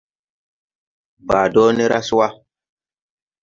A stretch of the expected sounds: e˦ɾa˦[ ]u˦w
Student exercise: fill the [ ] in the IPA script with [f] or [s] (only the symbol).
s